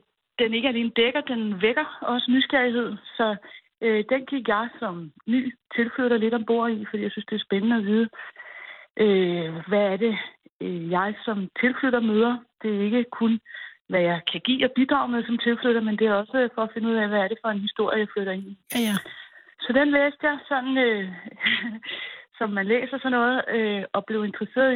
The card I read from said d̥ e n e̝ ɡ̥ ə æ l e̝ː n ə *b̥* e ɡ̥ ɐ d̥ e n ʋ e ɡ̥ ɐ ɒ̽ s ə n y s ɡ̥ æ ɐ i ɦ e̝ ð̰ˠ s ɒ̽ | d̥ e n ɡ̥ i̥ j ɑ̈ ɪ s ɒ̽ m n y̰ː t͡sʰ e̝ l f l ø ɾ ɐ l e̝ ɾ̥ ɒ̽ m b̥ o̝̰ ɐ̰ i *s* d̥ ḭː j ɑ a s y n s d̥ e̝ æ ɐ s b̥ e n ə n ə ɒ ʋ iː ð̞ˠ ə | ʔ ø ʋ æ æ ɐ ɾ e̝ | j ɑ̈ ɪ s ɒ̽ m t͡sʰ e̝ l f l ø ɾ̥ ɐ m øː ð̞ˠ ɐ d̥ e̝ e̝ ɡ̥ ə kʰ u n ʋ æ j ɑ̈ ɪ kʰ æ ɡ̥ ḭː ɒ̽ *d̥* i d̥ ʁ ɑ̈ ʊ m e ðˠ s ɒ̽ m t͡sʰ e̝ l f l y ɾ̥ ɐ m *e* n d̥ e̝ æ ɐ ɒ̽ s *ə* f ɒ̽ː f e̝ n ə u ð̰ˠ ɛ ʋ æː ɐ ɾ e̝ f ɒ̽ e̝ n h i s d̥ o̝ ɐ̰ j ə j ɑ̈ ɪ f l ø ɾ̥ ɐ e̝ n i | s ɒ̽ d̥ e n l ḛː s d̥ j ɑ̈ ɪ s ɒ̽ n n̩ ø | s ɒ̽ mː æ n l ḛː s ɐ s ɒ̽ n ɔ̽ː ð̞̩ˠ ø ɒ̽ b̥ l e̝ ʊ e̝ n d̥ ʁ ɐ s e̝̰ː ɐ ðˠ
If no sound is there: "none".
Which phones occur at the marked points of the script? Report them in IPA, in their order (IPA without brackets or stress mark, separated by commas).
d̥, f, b̥, e, ə